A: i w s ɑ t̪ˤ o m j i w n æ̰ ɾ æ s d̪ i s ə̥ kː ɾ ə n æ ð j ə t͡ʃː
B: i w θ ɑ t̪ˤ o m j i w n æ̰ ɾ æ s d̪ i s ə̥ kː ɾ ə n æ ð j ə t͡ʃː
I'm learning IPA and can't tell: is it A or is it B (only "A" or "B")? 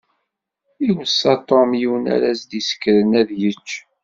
A